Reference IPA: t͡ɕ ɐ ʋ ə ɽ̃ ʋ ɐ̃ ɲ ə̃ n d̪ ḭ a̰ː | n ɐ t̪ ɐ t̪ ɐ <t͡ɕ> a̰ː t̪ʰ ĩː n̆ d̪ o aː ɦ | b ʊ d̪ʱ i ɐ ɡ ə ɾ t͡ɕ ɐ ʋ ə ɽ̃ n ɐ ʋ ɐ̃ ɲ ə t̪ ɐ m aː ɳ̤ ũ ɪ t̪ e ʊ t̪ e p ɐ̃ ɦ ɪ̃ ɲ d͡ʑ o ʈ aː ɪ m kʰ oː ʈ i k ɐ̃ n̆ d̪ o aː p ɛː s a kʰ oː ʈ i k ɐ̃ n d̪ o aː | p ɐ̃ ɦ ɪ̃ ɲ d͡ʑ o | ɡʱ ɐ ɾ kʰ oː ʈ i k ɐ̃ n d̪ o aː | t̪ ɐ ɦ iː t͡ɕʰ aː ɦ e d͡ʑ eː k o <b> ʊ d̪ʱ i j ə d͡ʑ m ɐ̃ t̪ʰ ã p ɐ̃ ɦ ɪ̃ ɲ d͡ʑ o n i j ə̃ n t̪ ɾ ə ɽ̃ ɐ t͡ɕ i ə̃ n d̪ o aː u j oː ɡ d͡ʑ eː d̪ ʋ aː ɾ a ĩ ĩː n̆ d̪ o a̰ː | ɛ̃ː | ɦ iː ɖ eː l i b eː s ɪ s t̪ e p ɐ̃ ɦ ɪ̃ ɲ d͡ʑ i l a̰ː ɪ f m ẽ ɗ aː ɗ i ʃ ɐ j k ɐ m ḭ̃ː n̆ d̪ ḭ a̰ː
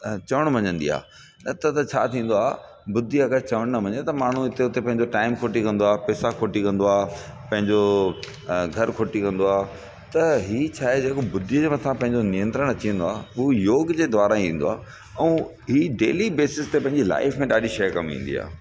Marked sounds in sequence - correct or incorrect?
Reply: incorrect: t͡ɕʰ, correct

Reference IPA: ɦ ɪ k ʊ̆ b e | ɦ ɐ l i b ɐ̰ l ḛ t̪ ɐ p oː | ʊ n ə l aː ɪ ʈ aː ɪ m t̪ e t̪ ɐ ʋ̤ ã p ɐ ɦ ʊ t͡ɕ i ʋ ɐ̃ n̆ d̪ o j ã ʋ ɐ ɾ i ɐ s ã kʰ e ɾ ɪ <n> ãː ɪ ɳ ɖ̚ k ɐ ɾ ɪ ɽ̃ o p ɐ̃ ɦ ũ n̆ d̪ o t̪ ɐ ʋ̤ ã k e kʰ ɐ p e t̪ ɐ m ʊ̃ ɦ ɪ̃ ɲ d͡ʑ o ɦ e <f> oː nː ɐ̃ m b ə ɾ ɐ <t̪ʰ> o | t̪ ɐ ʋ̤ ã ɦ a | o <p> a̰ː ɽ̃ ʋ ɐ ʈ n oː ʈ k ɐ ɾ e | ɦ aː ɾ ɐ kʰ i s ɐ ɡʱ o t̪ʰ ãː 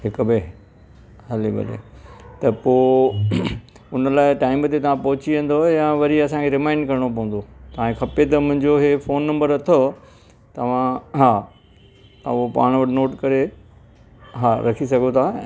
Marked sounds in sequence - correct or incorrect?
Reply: incorrect: m, correct, correct, correct

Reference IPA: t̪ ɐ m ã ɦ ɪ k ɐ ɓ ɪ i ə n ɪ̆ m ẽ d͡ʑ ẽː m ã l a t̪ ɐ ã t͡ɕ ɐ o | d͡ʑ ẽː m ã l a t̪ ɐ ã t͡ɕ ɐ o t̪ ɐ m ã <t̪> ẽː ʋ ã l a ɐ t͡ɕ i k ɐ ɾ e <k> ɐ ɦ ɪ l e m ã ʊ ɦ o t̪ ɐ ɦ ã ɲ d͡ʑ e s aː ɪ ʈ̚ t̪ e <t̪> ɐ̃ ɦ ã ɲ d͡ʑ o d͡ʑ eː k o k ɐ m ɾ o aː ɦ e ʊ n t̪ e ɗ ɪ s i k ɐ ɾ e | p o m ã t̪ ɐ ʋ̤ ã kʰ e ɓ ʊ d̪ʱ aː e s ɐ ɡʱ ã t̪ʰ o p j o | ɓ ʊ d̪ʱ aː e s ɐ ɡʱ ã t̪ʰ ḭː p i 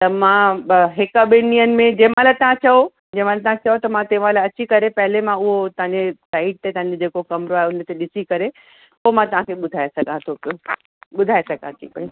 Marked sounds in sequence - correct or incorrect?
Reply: correct, incorrect: p, correct

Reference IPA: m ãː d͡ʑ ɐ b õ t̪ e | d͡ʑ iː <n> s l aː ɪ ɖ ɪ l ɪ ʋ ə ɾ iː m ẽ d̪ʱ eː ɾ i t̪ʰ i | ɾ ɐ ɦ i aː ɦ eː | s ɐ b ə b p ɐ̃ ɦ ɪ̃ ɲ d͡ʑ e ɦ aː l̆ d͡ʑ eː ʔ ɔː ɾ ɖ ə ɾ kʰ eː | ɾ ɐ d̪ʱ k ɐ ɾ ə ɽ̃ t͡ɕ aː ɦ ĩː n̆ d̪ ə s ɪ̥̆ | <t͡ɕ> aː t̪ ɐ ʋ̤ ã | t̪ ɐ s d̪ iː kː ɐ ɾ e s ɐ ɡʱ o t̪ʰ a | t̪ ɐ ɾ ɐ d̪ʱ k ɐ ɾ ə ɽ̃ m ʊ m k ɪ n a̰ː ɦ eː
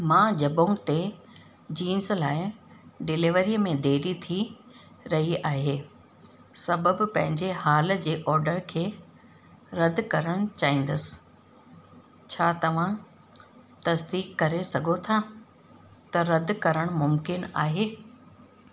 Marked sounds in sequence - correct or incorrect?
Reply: correct, incorrect: t͡ɕʰ

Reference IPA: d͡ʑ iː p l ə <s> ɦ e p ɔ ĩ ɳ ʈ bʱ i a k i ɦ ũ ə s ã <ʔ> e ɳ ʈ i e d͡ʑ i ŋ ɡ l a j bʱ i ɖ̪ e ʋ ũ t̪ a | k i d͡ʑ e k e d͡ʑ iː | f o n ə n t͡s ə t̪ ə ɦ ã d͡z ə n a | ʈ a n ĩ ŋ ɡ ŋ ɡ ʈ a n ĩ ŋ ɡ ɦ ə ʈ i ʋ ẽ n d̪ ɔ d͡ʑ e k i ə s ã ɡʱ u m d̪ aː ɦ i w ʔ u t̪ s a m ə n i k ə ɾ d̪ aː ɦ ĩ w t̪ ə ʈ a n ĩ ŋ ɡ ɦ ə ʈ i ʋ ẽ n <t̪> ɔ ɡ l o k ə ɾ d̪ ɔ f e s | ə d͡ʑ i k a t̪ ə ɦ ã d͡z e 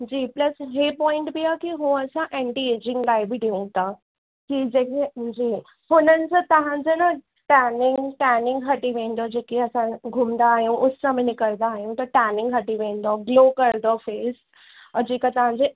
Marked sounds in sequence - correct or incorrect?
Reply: correct, correct, incorrect: d̪

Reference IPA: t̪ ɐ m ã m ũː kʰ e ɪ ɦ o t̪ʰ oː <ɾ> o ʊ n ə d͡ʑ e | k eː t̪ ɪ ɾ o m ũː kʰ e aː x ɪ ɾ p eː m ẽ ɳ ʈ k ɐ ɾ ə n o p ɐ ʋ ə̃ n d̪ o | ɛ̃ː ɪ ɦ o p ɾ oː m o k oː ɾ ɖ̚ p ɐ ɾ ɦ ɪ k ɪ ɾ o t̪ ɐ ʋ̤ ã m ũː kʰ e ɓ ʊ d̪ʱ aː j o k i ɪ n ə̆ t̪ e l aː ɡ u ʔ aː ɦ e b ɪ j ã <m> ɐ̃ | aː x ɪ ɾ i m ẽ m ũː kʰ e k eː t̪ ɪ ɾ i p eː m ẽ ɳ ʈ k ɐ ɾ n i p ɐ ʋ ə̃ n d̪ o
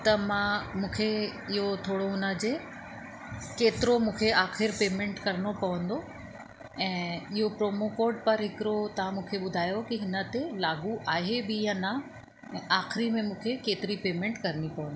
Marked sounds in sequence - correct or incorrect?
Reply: incorrect: ɽ, incorrect: n

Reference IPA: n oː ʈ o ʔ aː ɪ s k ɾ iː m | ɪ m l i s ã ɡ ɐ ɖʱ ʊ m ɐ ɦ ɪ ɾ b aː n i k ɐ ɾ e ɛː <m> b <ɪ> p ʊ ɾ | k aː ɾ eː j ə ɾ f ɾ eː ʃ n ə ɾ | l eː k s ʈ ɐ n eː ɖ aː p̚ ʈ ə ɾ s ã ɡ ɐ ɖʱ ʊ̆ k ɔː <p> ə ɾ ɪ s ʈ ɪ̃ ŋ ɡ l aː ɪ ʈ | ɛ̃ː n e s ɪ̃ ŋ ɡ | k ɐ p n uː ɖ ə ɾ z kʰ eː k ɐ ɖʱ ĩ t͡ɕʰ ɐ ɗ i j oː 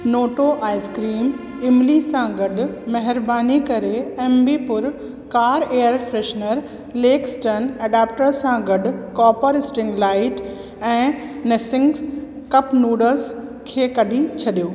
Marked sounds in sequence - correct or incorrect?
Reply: correct, incorrect: i, correct

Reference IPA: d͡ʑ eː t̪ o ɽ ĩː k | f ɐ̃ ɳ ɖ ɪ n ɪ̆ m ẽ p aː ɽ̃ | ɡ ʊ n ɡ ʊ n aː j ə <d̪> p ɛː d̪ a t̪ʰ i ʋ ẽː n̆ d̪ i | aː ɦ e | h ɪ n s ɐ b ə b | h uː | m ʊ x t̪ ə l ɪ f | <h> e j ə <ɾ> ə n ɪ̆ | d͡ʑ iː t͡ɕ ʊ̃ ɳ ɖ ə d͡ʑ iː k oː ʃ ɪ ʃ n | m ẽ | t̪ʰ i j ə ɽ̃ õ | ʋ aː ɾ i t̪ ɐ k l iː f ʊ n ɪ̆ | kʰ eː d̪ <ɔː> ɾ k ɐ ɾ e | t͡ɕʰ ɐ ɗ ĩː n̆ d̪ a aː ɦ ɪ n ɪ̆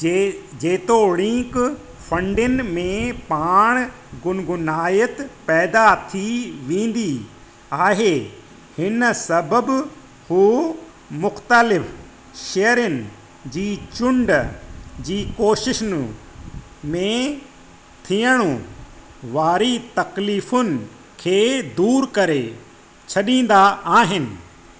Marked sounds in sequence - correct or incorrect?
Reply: incorrect: t̪, incorrect: ʃ, correct, incorrect: uː

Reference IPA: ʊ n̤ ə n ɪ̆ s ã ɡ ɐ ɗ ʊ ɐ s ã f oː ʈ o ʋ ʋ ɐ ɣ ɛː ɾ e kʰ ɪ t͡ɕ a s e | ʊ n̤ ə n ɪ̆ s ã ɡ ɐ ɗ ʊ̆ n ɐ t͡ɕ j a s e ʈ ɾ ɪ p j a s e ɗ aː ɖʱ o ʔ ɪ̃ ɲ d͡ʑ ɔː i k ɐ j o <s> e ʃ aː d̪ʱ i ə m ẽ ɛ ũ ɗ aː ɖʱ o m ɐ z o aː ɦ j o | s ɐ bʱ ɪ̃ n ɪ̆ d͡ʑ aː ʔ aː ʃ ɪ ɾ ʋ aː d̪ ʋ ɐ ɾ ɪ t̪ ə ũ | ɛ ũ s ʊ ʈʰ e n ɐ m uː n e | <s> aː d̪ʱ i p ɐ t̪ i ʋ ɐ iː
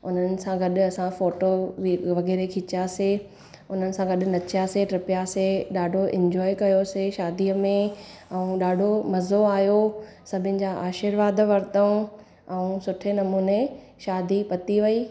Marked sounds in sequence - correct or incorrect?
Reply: correct, incorrect: ʃ

